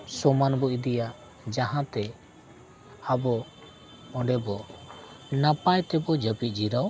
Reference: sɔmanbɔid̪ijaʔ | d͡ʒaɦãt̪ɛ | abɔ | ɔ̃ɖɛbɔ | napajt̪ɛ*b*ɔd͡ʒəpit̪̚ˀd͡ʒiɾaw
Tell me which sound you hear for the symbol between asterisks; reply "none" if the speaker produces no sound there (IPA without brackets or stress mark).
b